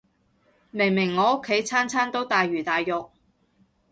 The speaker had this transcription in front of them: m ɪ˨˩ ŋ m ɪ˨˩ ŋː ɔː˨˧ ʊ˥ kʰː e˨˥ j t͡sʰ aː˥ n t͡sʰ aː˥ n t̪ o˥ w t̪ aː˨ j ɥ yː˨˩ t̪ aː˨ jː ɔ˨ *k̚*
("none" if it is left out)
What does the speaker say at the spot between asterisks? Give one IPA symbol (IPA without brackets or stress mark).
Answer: k̚